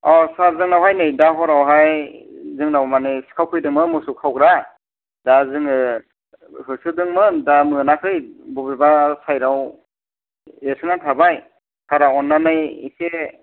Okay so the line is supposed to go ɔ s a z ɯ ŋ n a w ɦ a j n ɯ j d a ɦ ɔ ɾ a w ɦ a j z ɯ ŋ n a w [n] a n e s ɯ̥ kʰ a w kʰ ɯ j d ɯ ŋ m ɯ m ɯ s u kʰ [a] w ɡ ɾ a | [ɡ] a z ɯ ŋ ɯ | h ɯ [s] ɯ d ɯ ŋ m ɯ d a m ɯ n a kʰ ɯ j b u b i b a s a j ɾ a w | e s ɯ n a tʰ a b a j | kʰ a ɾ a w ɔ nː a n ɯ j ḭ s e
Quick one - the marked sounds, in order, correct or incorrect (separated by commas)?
incorrect, correct, incorrect, correct